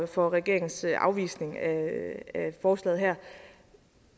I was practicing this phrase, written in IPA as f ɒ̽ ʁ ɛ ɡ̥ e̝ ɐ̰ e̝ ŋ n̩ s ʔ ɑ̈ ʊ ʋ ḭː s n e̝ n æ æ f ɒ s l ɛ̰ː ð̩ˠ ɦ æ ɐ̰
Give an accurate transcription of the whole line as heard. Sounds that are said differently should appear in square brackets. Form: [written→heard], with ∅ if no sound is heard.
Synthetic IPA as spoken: f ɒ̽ ʁ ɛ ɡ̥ e̝ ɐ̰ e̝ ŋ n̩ s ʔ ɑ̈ ʊ ʋ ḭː s n e̝ [n→ŋ] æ æ f [ɒ→ɒː] s l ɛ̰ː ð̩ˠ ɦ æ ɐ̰